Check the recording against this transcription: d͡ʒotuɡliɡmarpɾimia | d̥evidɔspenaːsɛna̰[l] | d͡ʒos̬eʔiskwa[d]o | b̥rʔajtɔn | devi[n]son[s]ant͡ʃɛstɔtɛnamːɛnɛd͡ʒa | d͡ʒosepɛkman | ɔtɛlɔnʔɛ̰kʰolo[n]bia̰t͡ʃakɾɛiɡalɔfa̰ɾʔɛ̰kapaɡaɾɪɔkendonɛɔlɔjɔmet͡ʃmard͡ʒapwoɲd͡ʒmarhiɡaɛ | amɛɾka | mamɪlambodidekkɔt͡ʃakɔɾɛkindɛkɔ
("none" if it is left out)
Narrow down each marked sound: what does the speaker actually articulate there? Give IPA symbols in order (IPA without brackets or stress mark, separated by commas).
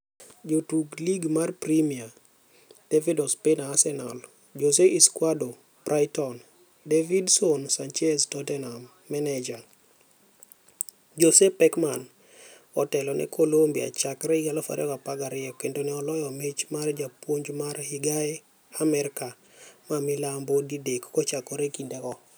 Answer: l, d, d, s, m